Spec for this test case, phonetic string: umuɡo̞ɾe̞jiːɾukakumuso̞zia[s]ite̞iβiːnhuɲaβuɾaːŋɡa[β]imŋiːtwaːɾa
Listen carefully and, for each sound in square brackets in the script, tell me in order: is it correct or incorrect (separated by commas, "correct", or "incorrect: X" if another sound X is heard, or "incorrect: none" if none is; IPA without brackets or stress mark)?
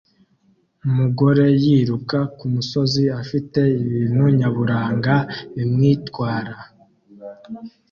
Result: incorrect: f, incorrect: none